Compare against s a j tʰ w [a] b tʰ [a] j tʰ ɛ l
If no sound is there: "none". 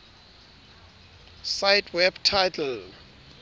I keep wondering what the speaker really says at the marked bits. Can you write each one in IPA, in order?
ɛ, a

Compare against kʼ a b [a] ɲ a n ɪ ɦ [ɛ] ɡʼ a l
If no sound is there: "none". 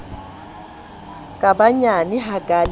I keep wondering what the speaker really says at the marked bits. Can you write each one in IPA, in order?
a, a

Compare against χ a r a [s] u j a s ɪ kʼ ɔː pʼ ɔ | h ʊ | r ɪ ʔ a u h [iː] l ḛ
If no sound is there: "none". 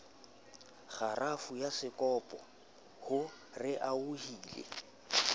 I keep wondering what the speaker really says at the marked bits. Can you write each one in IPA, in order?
f, iː

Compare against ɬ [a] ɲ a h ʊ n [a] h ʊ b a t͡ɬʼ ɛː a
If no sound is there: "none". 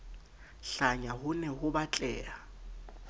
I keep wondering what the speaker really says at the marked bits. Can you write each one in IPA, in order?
a, ɛ

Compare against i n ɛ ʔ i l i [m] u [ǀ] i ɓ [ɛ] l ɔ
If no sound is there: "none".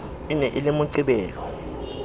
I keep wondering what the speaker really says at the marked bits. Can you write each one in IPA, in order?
m, ǀ, ɛː

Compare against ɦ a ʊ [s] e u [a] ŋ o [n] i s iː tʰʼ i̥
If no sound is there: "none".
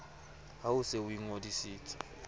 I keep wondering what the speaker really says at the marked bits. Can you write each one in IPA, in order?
s, i, d

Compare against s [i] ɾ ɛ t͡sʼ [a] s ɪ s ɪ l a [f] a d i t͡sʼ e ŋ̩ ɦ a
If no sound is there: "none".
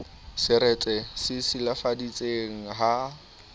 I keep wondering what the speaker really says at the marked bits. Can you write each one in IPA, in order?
ɪ, ɛ, f

